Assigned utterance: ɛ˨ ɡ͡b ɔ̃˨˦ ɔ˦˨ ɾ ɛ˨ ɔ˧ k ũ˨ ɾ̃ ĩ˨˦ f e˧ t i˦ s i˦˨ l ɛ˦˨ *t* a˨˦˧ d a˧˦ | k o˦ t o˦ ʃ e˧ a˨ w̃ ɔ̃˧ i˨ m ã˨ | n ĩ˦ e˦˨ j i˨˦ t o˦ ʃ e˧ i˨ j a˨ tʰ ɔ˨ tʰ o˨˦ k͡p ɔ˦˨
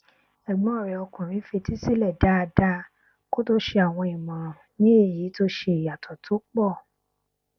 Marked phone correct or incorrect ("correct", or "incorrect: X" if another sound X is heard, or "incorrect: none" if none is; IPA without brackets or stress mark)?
incorrect: d